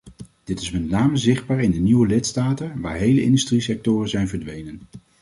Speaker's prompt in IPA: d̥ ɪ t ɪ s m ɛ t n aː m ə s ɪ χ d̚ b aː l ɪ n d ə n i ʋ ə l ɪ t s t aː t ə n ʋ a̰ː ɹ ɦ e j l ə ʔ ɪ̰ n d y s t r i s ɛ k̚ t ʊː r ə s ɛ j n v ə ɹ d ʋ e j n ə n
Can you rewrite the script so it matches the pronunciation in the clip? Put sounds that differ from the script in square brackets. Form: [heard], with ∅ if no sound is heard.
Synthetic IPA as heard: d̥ ɪ t ɪ s m ɛ t n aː m ə [z] ɪ χ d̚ b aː [ɹ] ɪ n d ə n i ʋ ə l ɪ t s t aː t ə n ʋ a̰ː ɹ ɦ e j l ə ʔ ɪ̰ n d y s t r i s ɛ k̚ t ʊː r ə [z] ɛ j n v ə ɹ d ʋ e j n ə n